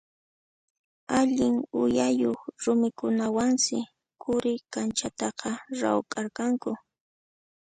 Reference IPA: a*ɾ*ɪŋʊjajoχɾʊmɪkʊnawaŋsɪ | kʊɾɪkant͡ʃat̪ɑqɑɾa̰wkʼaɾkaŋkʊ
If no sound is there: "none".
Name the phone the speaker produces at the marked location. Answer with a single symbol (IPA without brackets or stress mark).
ʎ